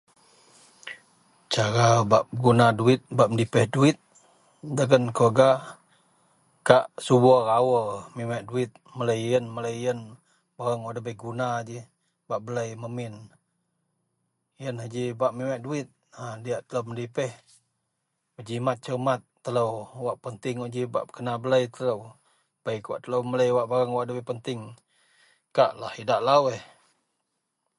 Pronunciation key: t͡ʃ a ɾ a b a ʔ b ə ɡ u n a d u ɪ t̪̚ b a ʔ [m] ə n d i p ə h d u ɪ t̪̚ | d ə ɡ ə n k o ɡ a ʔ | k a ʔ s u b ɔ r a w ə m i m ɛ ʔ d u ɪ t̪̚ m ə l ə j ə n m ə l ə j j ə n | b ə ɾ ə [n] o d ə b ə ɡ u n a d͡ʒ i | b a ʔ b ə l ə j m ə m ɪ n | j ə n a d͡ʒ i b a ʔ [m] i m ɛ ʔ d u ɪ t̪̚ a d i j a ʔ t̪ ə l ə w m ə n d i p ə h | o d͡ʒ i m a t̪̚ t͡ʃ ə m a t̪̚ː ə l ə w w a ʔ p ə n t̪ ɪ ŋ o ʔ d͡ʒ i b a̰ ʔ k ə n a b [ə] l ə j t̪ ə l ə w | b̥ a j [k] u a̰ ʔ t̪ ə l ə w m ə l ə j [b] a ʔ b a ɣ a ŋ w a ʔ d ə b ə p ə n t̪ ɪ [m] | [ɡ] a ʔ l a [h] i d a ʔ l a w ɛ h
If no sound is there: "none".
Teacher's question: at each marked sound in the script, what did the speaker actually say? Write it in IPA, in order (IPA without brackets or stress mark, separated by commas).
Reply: m, ŋ, m, ə, k, w, ŋ, k, h